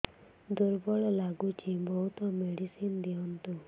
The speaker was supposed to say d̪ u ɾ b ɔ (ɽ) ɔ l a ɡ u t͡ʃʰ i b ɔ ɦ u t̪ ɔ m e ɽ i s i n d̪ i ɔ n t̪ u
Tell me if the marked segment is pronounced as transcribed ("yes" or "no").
no